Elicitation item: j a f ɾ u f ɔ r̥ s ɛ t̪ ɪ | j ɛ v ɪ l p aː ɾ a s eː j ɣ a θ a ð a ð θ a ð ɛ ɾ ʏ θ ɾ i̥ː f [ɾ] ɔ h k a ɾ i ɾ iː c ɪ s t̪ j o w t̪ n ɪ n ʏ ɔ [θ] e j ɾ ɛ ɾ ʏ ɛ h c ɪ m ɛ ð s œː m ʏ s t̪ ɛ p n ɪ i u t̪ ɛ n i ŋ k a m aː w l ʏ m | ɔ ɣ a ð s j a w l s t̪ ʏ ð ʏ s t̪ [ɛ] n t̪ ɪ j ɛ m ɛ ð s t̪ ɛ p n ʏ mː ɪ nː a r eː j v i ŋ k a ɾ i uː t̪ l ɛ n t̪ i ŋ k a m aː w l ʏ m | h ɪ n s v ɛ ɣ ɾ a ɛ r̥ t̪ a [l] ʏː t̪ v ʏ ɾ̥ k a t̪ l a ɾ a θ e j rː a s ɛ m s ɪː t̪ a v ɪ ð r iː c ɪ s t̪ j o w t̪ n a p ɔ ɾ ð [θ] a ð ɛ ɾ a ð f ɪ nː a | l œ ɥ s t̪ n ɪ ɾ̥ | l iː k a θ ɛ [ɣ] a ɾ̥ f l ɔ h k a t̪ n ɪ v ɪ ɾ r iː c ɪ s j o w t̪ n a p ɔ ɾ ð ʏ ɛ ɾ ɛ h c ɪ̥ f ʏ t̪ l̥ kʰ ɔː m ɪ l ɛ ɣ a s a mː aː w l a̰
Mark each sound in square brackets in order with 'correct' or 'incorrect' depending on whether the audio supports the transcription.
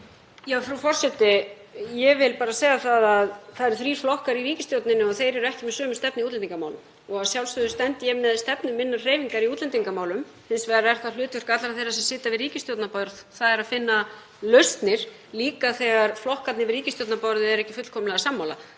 incorrect: l, correct, correct, correct, correct, correct

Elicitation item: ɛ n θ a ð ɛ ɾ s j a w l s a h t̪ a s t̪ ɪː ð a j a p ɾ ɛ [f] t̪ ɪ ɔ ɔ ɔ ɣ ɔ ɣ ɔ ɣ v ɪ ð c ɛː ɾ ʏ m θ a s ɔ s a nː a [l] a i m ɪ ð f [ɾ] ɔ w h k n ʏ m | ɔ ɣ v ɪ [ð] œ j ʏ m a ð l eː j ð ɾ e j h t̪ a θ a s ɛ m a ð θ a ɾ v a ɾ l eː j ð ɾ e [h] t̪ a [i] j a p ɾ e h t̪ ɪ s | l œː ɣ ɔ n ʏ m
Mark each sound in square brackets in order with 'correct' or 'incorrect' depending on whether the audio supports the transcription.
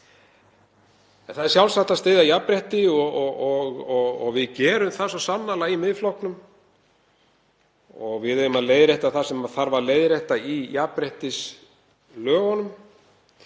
incorrect: h, correct, incorrect: l, correct, correct, correct

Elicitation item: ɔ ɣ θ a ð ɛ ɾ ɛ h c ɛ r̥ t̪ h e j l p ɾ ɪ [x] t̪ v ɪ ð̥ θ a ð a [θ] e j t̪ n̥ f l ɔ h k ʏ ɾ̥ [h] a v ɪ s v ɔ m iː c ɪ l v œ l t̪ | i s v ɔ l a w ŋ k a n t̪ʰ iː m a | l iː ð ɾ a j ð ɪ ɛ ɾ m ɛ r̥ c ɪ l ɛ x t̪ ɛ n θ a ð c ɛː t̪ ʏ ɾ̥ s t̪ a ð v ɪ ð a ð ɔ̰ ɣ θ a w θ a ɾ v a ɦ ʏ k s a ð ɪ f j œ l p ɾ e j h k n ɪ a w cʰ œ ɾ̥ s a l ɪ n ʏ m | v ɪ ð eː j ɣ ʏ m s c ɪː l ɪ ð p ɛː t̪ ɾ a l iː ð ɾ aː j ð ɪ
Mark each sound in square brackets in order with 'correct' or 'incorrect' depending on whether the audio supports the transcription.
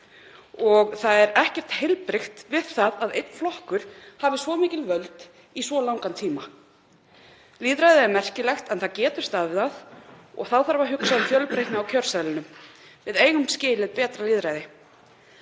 correct, incorrect: ð, correct

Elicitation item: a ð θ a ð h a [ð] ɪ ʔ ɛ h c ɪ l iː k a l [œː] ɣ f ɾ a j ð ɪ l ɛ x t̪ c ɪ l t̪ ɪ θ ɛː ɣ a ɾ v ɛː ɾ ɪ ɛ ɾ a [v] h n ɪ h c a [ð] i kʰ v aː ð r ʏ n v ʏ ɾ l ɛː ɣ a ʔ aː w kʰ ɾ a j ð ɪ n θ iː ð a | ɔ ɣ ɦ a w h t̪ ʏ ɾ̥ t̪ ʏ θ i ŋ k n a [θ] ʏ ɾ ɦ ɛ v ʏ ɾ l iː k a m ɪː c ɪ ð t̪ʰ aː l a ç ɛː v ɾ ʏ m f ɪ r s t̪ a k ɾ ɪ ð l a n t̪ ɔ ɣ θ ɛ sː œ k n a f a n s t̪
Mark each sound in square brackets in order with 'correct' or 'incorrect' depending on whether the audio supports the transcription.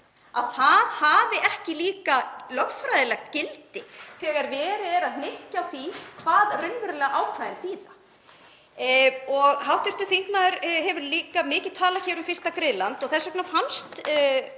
incorrect: v, incorrect: œ, incorrect: ð, incorrect: θ, incorrect: ð

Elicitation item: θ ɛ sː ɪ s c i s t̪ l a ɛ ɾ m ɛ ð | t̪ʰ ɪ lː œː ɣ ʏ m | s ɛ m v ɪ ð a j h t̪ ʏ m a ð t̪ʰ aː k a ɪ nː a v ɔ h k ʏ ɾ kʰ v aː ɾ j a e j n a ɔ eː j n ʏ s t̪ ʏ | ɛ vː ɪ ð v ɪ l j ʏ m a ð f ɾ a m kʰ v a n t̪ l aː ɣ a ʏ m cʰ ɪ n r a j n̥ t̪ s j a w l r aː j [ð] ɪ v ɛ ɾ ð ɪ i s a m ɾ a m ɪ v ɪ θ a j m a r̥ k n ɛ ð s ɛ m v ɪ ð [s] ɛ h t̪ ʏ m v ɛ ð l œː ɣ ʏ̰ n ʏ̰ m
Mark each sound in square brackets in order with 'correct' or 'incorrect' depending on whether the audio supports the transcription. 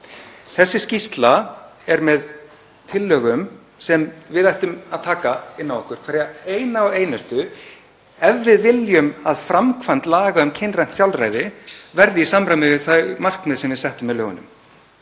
correct, correct

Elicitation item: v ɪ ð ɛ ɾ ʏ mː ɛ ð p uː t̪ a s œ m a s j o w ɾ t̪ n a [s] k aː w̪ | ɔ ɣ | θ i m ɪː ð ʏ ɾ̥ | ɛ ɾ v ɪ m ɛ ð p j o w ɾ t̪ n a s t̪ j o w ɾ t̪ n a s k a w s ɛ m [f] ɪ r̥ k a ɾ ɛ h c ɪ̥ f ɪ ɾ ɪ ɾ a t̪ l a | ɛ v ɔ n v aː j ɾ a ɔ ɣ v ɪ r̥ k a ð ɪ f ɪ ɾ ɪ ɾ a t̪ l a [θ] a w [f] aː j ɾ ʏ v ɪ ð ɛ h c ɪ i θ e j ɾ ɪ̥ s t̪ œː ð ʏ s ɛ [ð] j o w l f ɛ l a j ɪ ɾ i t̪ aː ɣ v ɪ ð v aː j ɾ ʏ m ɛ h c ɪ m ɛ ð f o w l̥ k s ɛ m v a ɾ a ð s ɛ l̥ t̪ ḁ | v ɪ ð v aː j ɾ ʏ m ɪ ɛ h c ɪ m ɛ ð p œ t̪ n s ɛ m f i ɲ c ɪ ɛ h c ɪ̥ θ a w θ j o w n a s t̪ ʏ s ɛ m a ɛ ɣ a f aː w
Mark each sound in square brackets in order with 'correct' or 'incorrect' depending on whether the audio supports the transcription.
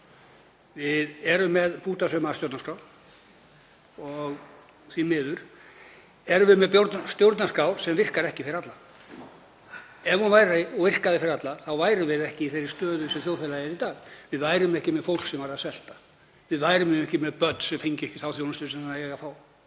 correct, incorrect: v, correct, incorrect: v, incorrect: θ

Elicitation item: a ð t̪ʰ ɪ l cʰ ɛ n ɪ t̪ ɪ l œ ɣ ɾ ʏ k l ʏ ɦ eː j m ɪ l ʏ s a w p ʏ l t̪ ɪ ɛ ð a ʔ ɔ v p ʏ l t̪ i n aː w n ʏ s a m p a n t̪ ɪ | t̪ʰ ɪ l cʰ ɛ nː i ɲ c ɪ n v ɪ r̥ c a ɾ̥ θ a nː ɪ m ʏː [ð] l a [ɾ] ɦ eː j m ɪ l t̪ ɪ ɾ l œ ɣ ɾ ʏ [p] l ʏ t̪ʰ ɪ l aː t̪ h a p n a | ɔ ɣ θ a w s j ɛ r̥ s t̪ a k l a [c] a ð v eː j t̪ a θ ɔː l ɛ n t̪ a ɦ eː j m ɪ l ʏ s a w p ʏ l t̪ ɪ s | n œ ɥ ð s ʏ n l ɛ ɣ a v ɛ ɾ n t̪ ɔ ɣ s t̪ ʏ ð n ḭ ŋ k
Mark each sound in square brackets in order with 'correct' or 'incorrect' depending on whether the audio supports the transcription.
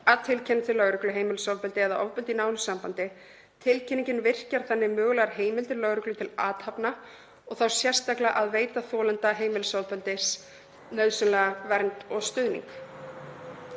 incorrect: ɣ, correct, incorrect: k, incorrect: ʔ

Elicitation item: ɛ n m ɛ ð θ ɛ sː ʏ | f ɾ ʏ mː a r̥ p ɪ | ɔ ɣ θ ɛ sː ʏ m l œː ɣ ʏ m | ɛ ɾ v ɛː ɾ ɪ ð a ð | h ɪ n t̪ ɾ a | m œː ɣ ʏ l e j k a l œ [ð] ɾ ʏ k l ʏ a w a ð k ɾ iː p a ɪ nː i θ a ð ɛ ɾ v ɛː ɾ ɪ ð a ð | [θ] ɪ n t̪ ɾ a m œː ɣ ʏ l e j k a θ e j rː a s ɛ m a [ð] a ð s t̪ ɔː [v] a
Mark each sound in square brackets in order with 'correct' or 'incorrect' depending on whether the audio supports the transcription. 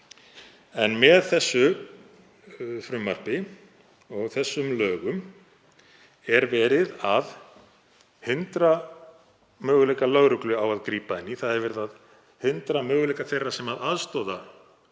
incorrect: ɣ, incorrect: h, correct, incorrect: ð

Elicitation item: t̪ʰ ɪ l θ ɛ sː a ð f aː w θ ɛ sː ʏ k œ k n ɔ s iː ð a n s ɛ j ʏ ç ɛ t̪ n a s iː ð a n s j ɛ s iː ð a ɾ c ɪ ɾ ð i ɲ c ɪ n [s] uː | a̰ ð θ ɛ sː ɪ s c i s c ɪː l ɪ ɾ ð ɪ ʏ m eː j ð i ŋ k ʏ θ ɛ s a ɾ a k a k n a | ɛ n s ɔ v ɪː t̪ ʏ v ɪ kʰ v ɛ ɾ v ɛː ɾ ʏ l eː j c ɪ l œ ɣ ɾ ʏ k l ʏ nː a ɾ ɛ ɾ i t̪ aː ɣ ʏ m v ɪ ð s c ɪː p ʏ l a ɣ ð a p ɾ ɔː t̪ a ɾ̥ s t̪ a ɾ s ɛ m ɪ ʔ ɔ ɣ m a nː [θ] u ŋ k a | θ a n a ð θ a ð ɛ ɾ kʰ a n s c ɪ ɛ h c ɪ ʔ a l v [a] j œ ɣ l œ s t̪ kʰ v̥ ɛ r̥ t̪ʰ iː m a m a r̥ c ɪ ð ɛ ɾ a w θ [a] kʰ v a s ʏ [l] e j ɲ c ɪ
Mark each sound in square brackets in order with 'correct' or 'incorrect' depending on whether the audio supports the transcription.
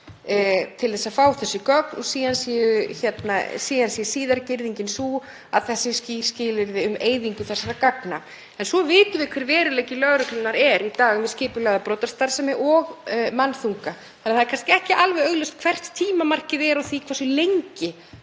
correct, correct, incorrect: ɛ, incorrect: i, correct

